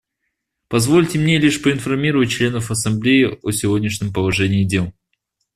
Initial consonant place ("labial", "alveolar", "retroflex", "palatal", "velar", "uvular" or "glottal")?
labial